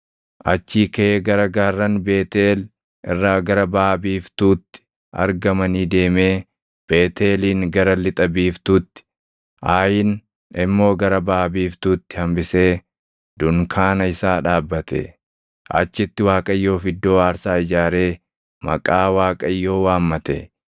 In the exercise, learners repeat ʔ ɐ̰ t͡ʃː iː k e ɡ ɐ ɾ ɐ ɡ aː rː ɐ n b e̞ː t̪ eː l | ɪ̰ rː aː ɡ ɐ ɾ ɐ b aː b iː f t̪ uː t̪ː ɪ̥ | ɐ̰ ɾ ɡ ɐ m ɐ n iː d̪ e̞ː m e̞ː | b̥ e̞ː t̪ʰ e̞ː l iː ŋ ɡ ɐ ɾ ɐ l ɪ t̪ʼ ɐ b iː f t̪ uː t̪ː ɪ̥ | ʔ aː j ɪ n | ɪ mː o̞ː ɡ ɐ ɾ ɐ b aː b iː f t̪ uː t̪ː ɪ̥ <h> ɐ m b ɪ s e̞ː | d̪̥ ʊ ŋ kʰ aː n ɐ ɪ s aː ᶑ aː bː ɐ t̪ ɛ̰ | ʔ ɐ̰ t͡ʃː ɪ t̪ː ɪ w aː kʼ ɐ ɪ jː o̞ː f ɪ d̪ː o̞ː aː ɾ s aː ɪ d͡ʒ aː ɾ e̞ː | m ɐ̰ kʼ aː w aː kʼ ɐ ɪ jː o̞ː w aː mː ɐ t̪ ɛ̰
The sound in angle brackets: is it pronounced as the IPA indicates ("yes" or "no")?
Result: yes